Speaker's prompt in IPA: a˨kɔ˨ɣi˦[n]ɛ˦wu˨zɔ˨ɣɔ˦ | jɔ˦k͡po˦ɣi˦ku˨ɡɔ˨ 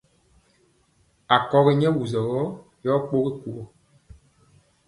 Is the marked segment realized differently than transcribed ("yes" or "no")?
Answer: yes